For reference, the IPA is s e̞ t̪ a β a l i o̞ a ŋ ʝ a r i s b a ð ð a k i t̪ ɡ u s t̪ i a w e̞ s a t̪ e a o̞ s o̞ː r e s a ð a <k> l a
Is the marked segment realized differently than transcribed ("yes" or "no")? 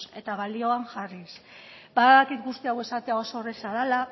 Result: yes